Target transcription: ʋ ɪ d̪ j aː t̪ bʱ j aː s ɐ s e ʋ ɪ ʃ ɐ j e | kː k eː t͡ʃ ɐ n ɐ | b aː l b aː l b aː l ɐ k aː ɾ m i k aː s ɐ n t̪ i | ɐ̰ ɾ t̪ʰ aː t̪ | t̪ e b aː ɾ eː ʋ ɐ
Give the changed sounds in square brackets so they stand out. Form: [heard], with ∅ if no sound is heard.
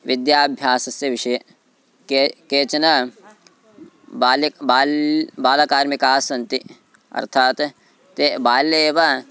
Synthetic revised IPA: ʋ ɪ d̪ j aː [∅] bʱ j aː s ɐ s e ʋ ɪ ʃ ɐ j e | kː k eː t͡ʃ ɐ n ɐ | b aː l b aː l b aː l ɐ k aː ɾ m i k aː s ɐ n t̪ i | ɐ̰ ɾ t̪ʰ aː t̪ | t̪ e b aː [l] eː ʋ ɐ